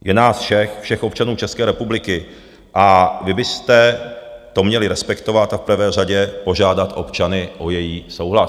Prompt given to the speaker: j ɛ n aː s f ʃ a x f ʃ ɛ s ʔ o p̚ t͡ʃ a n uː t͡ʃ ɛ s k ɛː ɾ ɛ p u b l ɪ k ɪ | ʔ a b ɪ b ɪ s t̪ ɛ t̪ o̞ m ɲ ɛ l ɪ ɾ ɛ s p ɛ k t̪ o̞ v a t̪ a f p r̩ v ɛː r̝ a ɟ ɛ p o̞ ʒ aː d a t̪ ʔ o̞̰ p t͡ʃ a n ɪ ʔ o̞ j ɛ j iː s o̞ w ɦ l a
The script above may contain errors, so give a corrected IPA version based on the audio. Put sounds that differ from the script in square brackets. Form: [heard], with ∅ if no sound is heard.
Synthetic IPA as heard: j ɛ n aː s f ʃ [ɛ] x f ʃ ɛ [x] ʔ o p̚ t͡ʃ a n uː t͡ʃ ɛ s k ɛː ɾ ɛ p u b l ɪ k ɪ | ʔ a [v] ɪ b ɪ s t̪ ɛ t̪ o̞ m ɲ ɛ l ɪ ɾ ɛ s p ɛ k t̪ o̞ v a t̪ a f p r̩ v ɛː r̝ a ɟ ɛ p o̞ ʒ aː d a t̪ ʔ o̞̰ p t͡ʃ a n ɪ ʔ o̞ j ɛ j iː s o̞ w ɦ l a